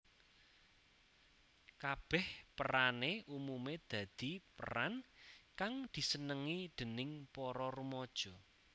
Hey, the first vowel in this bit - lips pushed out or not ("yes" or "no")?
no